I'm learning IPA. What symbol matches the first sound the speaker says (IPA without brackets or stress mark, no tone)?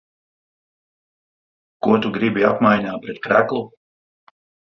k